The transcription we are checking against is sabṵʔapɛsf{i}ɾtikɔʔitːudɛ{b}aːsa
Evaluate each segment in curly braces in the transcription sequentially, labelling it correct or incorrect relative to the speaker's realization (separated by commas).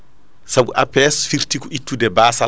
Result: correct, correct